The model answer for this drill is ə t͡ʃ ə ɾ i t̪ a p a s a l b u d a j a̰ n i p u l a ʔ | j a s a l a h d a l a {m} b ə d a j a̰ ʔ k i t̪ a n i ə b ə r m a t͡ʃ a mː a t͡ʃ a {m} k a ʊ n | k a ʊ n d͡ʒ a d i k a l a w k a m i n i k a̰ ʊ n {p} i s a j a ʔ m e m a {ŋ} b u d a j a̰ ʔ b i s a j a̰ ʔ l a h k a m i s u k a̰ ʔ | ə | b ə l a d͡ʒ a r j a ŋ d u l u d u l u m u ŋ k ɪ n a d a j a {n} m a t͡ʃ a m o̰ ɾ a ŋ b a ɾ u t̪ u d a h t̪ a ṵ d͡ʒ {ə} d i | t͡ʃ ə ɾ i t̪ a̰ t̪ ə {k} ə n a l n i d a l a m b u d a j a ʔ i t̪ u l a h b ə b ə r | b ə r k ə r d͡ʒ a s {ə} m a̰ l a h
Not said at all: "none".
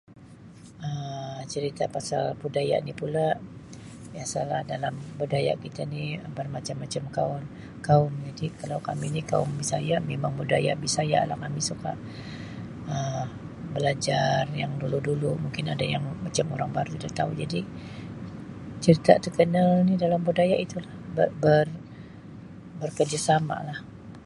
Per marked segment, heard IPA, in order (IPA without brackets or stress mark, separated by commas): m, m, b, ŋ, ŋ, a, k, a